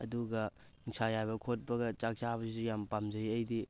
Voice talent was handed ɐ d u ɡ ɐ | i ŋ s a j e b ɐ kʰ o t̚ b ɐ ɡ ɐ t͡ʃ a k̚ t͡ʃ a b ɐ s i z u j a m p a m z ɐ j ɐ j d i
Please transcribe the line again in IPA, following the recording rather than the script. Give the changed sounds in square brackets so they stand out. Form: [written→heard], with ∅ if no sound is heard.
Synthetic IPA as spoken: ɐ d u ɡ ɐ | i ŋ s a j [e→a] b ɐ kʰ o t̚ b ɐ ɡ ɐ t͡ʃ a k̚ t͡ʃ a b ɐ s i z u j a m p a m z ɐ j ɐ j d i